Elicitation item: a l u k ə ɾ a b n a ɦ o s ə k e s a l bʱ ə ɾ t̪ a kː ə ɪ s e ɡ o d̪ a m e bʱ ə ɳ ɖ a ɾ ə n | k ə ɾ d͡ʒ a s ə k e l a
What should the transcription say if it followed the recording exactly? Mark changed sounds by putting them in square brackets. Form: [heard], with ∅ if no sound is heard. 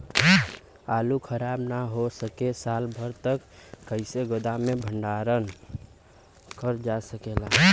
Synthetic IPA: a l u [kʰ] ə ɾ a b n a ɦ o s ə k e s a l bʱ ə ɾ t̪ [ə] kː ə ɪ s e ɡ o d̪ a m e bʱ ə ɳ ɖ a ɾ ə n | k ə ɾ d͡ʒ a s ə k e l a

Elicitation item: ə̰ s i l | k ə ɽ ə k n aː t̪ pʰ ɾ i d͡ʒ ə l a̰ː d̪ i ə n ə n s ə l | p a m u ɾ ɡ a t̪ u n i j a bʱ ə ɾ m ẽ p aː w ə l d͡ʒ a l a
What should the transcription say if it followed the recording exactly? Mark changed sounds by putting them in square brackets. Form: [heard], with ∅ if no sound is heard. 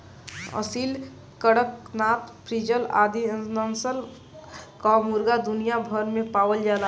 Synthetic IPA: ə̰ s i l | k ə ɽ ə k n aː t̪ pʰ ɾ i d͡ʒ ə l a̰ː d̪ i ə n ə n s ə l | [k] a m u ɾ ɡ a [d̪] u n i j a bʱ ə ɾ m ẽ p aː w ə l d͡ʒ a l a

